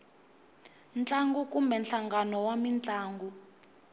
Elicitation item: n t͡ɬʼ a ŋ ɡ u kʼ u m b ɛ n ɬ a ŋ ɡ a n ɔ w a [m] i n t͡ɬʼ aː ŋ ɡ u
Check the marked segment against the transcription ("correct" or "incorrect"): correct